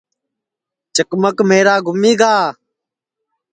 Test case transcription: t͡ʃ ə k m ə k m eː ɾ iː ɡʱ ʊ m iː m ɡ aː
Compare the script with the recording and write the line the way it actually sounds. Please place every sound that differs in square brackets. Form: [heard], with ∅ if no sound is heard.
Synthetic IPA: t͡ʃ ə k m ə k m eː ɾ [aː] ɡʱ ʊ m iː [∅] ɡ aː